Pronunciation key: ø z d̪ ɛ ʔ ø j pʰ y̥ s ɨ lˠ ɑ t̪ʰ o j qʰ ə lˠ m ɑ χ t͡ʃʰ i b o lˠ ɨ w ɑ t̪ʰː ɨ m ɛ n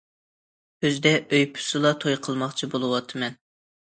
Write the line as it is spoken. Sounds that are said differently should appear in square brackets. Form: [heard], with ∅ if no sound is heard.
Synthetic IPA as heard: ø z d̪ ɛ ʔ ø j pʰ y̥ s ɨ lˠ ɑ t̪ʰ o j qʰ ə lˠ m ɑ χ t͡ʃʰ i b o lˠ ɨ w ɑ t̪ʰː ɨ m ɛ n